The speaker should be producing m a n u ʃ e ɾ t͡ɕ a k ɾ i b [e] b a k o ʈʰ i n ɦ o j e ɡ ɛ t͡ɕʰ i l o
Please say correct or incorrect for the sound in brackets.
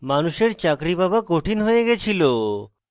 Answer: incorrect